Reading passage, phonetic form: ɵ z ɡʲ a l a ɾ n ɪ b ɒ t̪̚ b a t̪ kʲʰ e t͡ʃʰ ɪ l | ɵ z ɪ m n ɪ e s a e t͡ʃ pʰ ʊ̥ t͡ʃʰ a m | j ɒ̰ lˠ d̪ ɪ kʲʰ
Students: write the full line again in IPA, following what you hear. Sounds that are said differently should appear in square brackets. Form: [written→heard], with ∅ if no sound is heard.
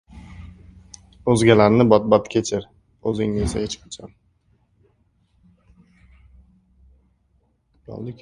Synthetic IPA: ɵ z ɡʲ a l a ɾ n ɪ b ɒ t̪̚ b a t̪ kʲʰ e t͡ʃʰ ɪ [l→ɾ] | ɵ z ɪ [m→ŋ] n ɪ e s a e t͡ʃ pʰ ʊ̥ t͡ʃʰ a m | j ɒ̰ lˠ d̪ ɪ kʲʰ